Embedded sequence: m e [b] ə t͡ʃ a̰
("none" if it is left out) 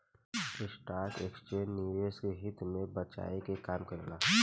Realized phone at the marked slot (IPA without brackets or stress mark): b